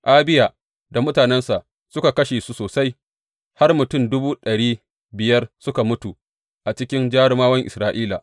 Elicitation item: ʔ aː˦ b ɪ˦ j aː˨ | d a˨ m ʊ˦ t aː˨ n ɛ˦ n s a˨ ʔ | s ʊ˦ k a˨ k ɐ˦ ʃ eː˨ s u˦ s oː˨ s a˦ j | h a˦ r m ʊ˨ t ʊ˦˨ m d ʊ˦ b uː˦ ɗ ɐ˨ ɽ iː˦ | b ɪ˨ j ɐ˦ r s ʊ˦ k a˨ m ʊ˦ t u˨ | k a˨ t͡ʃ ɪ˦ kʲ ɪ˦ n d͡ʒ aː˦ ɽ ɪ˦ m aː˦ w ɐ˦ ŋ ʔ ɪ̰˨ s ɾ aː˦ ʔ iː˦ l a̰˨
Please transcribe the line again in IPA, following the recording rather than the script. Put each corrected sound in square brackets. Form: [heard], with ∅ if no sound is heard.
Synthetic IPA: ʔ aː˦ b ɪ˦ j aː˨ | d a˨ m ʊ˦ t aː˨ n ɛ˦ n s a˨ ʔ | s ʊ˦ k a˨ k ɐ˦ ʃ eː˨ s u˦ s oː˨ s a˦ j | h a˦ r m ʊ˨ t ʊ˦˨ m d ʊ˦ b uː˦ ɗ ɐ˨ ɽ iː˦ | b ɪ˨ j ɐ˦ r s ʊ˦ k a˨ m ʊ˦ t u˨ | [ʔ] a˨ t͡ʃ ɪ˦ kʲ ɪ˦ n d͡ʒ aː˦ ɽ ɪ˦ m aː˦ w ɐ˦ ŋ ʔ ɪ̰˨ s ɾ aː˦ ʔ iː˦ l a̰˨